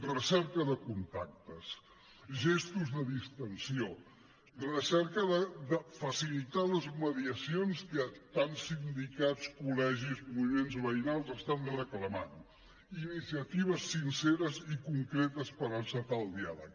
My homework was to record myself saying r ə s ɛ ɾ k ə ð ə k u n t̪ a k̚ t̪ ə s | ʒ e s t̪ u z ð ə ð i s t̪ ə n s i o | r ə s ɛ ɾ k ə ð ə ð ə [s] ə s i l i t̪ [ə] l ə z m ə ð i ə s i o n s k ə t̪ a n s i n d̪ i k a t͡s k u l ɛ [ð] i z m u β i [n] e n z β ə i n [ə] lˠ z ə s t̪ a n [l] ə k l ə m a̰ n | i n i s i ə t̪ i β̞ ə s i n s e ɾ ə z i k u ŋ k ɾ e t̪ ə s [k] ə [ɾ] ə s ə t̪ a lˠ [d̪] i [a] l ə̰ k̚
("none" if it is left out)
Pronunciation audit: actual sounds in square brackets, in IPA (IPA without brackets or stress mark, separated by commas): f, a, ʒ, m, a, r, p, ɾ, d̪, a